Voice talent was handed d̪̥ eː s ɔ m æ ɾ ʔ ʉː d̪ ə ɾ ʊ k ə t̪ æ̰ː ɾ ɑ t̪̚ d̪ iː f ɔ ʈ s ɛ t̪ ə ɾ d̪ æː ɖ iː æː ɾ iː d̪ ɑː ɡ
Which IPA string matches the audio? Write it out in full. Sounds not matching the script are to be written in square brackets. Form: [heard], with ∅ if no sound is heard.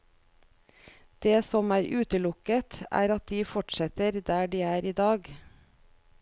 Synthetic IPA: d̪̥ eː s ɔ m [æː] ɾ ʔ ʉː [t̪] ə [l] ʊ k ə t̪ æ̰ː ɾ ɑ t̪̚ d̪ iː f ɔ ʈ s ɛ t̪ ə ɾ d̪ æː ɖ iː æː ɾ iː d̪ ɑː ɡ